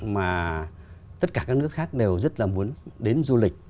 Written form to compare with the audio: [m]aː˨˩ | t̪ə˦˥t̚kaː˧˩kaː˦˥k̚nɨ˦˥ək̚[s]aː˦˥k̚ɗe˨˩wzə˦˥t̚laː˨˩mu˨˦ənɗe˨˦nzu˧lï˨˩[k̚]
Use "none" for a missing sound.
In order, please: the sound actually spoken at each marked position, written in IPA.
m, x, k̚

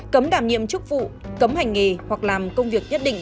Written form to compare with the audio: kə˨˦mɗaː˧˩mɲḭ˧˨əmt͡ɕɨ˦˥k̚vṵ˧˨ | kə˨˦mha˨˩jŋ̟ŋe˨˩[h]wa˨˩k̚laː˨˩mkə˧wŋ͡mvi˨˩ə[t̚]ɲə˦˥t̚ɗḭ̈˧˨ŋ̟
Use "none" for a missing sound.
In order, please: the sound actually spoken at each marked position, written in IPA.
h, k̚

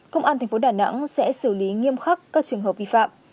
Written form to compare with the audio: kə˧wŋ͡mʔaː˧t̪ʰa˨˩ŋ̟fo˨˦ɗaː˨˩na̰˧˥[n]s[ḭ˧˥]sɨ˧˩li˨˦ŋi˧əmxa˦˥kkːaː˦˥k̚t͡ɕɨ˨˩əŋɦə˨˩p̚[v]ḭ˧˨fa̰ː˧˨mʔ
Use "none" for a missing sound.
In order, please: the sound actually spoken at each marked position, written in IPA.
ŋ, ɛ̰˧˥, v

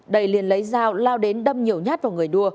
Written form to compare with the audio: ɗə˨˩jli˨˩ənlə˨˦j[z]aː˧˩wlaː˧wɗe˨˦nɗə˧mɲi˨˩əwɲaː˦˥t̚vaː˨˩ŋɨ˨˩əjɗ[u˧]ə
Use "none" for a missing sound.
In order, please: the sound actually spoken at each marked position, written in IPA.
z, u˧

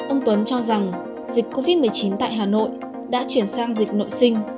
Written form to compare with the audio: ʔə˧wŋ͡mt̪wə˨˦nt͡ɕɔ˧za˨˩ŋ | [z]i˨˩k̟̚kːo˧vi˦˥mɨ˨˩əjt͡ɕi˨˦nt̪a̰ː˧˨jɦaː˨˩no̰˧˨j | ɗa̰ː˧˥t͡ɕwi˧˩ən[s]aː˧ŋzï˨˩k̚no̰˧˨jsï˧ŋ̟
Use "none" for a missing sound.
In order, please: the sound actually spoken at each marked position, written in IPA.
z, s

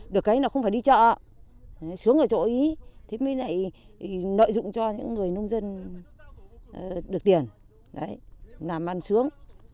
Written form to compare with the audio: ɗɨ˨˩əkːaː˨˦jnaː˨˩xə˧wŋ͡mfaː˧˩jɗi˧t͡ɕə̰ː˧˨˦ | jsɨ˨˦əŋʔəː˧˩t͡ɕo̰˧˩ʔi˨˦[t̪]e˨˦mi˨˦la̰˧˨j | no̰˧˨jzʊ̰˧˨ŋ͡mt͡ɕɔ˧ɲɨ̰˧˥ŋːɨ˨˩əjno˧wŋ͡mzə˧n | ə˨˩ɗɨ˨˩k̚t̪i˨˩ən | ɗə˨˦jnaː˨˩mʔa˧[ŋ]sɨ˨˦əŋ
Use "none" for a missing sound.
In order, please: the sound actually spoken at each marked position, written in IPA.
t̪ʰ, n

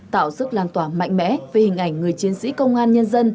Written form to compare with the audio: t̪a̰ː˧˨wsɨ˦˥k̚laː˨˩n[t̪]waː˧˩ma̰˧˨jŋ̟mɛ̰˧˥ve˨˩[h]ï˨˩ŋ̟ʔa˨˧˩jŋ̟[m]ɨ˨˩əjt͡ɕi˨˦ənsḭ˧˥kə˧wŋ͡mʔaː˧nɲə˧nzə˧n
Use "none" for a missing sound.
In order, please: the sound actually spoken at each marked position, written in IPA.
t̪, h, ŋ

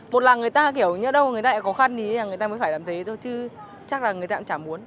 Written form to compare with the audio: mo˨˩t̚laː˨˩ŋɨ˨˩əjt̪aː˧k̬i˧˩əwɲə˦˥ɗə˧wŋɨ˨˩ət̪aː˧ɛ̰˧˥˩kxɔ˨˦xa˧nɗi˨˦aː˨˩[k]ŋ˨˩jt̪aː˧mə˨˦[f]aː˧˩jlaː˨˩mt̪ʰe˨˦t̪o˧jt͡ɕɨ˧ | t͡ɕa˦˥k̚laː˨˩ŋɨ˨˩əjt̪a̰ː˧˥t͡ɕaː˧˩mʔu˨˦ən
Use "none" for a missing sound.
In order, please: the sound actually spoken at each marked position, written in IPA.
none, f

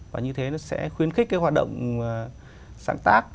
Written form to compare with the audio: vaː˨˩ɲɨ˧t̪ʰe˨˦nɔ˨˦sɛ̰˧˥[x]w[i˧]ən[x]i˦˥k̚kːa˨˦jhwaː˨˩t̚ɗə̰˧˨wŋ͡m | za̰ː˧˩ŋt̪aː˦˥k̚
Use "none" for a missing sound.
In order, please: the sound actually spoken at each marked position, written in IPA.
x, i˧, x

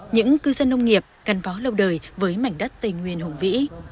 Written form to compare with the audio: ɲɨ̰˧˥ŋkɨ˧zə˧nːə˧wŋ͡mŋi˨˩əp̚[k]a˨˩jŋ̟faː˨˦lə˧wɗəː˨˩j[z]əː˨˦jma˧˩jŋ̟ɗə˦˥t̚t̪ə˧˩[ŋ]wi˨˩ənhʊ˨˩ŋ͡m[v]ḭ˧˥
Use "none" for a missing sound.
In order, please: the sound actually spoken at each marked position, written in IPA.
k, v, ŋ, v

